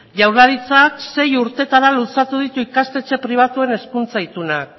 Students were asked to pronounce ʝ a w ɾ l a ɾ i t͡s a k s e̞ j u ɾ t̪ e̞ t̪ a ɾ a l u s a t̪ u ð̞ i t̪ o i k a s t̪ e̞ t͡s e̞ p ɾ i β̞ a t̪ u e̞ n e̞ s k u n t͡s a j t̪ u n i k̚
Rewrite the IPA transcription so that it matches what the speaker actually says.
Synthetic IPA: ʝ a w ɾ l a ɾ i t͡s a k s e̞ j u ɾ t̪ e̞ t̪ a ɾ a l u s a t̪ u ð̞ i t̪ u i k a s t̪ e̞ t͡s e̞ p ɾ i β̞ a t̪ u e̞ n e̞ s k u n t͡s a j t̪ u n a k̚